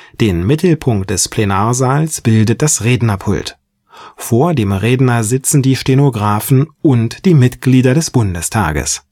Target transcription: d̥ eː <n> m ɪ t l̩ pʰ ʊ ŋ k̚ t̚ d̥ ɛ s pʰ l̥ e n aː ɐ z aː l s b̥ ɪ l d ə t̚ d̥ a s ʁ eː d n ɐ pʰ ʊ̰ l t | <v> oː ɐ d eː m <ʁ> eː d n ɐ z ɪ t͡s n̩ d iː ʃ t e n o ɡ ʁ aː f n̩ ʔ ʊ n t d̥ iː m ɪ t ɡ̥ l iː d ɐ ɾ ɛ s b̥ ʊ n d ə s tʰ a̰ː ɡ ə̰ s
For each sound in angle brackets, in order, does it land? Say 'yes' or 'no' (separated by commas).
yes, no, yes